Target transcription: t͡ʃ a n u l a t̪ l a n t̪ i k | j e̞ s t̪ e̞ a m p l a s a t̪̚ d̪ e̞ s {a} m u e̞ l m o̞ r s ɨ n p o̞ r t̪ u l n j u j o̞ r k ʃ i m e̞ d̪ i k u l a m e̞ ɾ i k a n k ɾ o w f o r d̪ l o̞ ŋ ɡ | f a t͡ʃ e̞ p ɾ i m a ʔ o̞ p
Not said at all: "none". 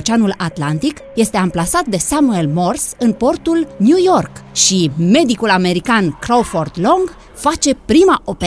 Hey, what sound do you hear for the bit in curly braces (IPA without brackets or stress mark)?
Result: a